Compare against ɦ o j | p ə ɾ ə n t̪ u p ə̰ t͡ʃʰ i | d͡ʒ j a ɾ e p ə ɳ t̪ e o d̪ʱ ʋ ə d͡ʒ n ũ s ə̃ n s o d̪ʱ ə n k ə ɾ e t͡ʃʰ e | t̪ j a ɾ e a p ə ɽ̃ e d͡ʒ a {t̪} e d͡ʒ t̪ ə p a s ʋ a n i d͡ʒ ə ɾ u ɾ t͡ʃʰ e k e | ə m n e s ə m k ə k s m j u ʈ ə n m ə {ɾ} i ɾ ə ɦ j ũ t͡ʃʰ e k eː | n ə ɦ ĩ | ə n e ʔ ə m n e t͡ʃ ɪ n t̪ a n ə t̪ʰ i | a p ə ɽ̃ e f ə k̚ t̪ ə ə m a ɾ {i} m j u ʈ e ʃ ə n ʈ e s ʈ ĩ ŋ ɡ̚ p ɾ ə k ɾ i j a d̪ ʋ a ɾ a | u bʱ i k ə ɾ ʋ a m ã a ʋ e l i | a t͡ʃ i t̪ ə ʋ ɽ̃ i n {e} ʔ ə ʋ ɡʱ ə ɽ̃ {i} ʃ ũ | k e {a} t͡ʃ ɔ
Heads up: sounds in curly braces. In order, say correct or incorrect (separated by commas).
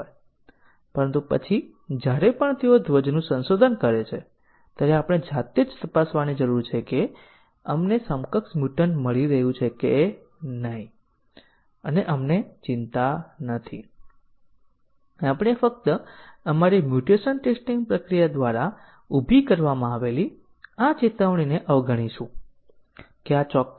correct, incorrect, correct, correct, correct, correct